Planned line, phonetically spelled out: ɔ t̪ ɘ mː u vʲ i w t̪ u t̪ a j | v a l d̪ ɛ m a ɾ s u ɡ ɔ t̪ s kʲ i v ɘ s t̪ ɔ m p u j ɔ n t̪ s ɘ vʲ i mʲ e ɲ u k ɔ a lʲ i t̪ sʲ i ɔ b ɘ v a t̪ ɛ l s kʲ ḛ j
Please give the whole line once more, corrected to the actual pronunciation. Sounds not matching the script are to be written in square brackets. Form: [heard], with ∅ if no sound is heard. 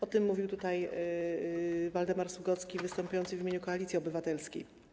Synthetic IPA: ɔ t̪ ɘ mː u vʲ i w t̪ u t̪ a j | v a l d̪ ɛ m a ɾ s u ɡ ɔ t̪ s kʲ i v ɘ s t̪ ɔ m p u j ɔ n t̪ s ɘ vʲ i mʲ e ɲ u k ɔ a lʲ i t̪ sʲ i ɔ b ɘ v a t̪ ɛ l s kʲ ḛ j